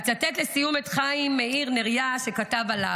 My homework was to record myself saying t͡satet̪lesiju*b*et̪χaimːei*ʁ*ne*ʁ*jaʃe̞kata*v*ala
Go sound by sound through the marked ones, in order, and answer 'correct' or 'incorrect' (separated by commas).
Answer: incorrect, correct, correct, correct